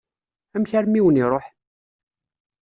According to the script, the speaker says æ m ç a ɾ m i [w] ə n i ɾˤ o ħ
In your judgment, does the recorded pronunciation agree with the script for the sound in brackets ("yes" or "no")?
yes